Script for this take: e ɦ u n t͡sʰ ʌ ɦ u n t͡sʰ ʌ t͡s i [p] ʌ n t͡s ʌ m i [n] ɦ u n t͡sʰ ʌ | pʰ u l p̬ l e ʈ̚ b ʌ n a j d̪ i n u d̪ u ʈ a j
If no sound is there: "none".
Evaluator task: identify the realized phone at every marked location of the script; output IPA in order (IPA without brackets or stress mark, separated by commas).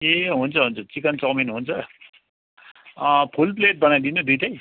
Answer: k, n